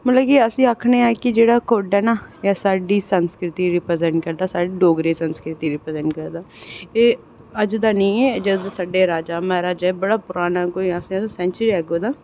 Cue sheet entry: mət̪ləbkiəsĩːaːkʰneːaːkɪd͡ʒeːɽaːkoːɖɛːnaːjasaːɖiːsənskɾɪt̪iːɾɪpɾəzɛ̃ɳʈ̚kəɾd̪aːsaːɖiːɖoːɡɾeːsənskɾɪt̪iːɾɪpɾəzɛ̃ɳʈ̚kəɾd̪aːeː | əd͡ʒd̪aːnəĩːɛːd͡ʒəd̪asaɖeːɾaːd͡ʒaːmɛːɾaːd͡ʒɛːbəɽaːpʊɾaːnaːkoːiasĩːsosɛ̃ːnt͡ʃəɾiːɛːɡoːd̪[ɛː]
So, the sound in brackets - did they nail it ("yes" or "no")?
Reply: no